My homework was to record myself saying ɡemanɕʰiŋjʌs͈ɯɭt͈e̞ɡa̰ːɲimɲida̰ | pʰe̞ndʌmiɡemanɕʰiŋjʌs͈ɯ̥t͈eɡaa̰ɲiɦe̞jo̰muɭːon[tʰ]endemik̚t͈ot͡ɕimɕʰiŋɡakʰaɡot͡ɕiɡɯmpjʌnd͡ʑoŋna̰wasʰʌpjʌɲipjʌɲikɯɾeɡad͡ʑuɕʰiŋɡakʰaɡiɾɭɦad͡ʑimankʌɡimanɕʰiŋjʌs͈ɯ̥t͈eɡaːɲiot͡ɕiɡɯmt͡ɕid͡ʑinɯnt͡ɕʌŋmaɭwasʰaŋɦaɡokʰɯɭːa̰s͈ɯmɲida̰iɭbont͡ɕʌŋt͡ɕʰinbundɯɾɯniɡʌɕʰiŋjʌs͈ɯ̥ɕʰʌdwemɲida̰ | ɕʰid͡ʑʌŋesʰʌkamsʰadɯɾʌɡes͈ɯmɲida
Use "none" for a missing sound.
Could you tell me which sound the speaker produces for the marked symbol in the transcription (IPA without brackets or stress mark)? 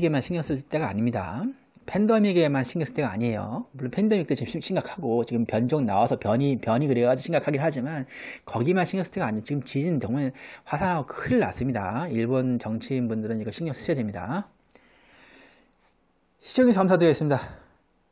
pʰ